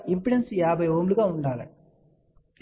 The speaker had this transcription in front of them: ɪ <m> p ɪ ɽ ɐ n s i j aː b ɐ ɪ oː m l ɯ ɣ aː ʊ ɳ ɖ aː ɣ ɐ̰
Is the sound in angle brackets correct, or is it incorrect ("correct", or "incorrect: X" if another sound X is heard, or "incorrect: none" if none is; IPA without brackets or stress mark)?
correct